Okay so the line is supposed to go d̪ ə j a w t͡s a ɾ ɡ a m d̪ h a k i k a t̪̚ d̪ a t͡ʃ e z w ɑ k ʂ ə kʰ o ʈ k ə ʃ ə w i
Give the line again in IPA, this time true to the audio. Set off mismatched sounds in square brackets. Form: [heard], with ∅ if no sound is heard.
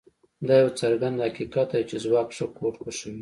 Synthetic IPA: d̪ [ɑ] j a w t͡s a ɾ ɡ a [n] d̪ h a k i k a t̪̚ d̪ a t͡ʃ e z w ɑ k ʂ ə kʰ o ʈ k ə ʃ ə w i